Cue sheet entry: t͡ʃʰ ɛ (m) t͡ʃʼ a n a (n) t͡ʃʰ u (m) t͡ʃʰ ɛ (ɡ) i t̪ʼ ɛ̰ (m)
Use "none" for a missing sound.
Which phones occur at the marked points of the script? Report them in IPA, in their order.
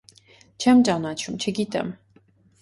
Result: m, none, m, ɡ, m

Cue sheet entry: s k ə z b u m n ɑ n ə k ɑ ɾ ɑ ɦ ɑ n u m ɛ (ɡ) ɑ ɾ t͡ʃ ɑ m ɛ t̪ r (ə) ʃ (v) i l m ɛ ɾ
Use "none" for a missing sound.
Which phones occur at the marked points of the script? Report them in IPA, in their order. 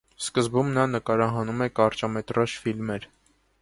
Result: k, ɑ, f

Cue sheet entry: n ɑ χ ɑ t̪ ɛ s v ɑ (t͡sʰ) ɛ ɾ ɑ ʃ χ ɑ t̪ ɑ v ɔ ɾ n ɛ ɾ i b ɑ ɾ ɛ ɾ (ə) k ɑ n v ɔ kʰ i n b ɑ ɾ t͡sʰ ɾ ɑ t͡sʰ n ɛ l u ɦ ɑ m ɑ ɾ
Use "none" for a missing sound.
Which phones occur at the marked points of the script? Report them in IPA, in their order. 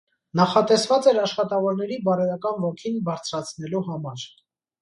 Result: t͡s, ɑ

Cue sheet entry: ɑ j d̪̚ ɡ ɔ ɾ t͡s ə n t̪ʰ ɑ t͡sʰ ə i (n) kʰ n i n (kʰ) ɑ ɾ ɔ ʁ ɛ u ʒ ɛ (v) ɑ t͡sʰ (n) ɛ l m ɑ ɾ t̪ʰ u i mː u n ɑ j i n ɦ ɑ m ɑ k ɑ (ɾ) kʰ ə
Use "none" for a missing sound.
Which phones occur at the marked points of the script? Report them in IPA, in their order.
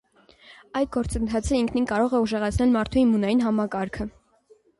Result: ŋ, k, ʁ, n, ɾ

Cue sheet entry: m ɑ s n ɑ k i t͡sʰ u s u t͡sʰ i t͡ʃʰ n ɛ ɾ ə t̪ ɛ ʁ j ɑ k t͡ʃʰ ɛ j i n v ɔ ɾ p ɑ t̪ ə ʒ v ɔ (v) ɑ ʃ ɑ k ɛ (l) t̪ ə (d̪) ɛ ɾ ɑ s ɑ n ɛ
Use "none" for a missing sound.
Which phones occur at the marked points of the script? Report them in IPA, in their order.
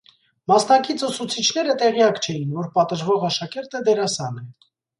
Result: ʁ, ɾ, d̪

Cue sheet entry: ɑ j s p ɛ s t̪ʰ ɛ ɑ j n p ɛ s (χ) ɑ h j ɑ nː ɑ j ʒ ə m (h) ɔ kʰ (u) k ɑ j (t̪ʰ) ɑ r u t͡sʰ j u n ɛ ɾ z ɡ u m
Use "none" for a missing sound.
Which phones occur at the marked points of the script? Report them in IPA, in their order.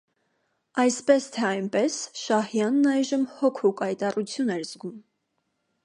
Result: ʃ, h, u, t̪

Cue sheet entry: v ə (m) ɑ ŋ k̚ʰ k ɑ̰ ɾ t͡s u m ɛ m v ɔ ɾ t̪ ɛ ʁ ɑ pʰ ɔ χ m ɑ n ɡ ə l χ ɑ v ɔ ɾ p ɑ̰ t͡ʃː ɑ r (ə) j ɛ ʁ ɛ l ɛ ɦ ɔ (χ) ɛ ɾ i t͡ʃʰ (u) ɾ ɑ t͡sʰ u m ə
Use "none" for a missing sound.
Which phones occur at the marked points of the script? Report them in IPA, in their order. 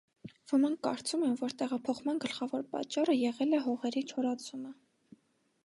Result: m, ə, ʁ, ɔ

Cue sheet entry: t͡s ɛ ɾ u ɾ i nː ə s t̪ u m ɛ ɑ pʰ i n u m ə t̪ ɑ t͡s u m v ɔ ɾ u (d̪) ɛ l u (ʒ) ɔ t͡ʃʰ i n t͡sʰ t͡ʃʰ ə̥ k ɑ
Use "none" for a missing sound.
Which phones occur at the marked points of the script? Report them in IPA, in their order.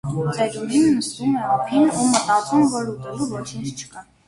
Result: t̪, v

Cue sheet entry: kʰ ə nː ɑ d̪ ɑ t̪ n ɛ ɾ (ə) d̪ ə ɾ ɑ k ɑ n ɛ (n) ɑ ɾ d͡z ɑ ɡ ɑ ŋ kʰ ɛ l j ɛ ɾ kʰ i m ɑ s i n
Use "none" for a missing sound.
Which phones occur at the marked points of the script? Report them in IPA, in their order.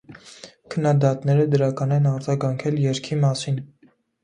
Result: ə, n

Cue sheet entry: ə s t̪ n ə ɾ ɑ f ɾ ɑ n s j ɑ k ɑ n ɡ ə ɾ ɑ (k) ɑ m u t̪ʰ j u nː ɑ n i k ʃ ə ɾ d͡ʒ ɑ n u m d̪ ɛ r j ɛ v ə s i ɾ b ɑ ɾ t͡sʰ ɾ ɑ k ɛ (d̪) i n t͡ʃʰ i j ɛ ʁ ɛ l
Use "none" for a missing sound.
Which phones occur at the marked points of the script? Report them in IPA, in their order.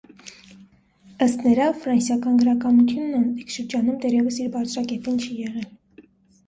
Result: k, t̪

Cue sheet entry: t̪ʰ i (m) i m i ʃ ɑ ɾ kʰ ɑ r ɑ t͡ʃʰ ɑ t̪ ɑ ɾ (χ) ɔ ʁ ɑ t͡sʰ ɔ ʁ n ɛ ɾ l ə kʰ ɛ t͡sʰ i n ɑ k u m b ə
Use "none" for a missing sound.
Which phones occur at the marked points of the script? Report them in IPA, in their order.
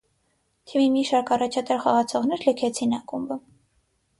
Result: m, χ

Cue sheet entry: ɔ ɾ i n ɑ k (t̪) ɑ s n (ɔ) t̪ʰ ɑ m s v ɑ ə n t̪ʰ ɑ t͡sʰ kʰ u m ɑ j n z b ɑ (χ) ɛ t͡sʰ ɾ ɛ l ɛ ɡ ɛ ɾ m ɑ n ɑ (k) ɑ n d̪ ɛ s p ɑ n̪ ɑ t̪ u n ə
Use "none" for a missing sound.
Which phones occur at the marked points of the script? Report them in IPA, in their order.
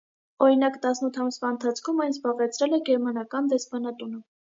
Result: t̪, u, ʁ, k

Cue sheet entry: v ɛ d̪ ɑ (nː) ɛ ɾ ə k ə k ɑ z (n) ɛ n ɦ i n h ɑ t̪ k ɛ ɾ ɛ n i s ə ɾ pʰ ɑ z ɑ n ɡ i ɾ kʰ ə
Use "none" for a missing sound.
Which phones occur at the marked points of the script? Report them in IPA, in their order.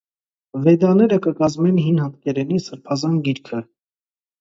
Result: n, m

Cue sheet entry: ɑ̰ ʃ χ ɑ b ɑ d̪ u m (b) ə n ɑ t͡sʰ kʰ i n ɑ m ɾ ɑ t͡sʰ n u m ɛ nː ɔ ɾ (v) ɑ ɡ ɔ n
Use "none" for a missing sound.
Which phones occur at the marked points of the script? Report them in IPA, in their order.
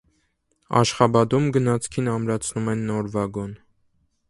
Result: ɡ, v

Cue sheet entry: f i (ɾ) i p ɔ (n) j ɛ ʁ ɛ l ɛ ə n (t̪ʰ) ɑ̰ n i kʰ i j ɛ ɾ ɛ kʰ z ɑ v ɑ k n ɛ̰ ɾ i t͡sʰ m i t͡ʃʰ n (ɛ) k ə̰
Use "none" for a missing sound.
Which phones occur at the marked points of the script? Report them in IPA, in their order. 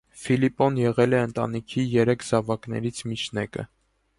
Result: l, n, t̪, ɛ

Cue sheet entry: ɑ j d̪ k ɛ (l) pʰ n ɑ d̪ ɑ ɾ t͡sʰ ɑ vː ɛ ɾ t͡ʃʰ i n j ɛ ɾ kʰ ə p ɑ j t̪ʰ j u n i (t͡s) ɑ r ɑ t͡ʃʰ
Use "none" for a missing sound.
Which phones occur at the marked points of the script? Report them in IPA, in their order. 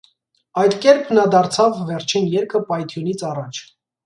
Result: ɾ, t͡sʰ

